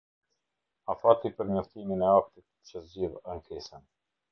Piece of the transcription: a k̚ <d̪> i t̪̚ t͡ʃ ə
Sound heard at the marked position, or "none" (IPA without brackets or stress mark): t̪